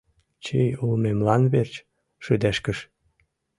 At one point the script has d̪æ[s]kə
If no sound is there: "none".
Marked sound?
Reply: ʃ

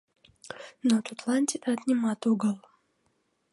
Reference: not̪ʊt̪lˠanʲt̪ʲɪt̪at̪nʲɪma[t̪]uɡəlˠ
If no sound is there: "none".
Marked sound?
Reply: t̪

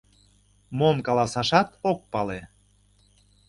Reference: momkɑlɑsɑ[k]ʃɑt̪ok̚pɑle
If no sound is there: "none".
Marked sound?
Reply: none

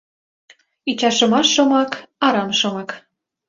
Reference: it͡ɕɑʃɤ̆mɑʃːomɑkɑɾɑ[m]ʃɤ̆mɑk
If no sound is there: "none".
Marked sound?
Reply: m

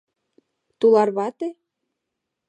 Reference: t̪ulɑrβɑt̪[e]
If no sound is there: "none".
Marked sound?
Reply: e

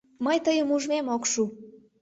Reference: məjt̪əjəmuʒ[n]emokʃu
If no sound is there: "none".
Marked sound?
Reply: m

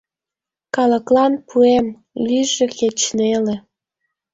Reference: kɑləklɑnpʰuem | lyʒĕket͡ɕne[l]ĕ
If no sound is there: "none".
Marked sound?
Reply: l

